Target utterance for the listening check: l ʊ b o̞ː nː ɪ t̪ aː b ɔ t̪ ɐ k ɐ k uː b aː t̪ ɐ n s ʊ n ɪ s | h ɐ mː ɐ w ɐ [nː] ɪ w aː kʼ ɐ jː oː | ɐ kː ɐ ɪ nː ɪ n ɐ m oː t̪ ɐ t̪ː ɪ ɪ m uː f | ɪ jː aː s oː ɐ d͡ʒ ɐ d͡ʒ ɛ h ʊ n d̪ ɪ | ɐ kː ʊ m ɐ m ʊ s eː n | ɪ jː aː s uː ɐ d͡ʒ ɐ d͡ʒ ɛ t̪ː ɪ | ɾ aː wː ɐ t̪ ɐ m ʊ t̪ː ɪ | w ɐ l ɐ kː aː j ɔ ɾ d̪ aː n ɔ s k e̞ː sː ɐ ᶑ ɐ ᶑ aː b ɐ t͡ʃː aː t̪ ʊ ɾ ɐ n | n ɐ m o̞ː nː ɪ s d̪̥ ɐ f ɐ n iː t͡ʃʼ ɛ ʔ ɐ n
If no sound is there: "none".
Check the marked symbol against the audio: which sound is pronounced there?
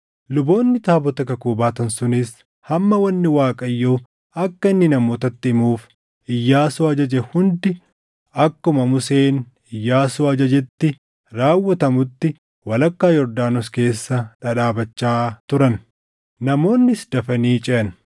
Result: nː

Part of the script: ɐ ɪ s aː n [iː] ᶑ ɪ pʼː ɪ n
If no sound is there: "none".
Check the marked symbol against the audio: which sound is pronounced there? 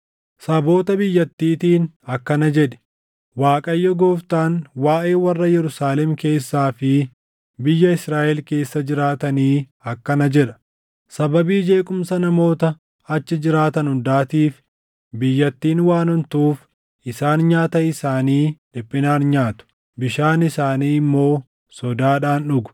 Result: iː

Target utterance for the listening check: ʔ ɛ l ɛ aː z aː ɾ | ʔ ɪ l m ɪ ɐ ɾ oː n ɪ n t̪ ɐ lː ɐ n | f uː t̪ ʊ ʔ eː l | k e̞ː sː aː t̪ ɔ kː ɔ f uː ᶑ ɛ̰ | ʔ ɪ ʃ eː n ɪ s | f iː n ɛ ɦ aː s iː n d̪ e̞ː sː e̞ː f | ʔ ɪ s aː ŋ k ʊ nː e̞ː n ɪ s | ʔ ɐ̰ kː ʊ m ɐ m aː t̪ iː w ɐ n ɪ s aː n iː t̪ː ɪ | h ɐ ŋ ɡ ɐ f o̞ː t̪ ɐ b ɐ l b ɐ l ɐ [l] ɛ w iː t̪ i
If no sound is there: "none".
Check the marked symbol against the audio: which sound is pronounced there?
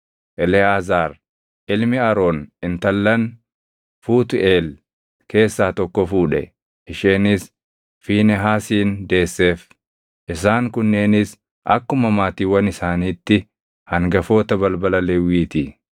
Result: l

